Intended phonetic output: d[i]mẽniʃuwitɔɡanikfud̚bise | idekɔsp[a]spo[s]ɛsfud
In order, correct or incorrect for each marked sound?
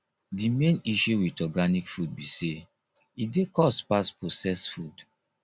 correct, correct, correct

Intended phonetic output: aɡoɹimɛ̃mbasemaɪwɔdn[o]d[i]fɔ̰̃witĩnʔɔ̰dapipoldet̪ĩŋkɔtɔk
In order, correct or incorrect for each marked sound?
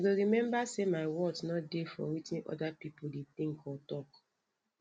incorrect: ɔ, incorrect: e

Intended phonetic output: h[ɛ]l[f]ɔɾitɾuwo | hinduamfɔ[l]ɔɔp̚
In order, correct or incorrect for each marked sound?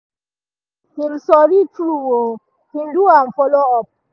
incorrect: i, incorrect: s, correct

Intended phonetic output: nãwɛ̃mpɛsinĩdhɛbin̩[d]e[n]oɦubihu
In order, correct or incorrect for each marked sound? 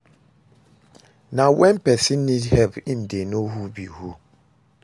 correct, correct

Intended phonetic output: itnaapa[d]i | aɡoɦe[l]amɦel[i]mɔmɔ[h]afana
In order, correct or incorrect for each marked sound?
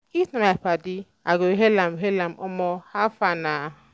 correct, correct, incorrect: a, correct

